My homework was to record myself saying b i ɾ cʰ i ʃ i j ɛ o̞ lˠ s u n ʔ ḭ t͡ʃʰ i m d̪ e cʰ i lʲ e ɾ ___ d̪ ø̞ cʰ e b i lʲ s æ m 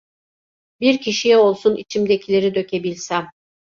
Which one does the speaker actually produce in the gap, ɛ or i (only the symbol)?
i